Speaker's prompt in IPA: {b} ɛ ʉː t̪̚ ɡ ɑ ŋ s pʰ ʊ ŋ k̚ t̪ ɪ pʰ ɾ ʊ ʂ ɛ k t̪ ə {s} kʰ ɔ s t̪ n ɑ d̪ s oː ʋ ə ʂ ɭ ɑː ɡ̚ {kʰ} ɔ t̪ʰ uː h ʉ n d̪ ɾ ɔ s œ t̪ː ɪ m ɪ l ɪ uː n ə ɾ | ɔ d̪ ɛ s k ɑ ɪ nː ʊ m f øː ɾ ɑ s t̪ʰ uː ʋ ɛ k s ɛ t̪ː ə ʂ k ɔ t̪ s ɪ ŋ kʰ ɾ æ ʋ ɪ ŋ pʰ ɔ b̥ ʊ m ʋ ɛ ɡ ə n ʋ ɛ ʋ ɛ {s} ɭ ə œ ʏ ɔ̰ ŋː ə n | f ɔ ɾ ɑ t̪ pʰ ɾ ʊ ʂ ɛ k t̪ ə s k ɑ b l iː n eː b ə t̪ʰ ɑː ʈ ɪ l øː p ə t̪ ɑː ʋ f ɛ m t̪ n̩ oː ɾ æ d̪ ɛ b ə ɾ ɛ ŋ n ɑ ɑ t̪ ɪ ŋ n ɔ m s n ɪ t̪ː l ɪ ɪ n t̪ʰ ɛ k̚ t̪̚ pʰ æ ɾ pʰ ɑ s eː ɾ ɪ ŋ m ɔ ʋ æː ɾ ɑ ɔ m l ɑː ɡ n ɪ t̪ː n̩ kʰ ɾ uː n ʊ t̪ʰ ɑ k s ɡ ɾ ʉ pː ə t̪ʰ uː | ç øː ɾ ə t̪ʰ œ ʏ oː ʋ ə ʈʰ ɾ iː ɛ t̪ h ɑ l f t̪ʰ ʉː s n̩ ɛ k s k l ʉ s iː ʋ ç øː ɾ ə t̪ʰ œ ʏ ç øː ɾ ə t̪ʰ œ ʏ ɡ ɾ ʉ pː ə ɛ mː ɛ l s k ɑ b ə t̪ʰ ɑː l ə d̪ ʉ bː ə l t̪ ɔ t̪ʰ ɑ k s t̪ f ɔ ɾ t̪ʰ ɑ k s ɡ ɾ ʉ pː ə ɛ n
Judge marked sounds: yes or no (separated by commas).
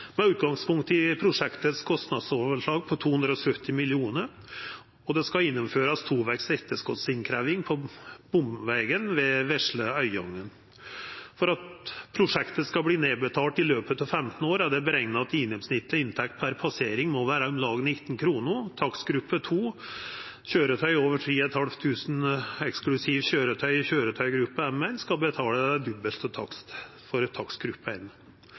no, yes, no, no